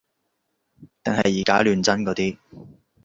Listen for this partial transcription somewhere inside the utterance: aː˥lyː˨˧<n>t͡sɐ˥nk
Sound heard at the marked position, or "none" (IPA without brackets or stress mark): n